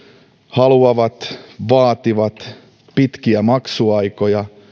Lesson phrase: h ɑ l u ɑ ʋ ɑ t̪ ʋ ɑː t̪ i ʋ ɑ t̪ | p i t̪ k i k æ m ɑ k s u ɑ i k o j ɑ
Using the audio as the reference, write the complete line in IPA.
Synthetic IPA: h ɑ l u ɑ ʋ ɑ t̪ ʋ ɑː t̪ i ʋ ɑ t̪ | p i t̪ k i æ m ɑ k s u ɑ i k o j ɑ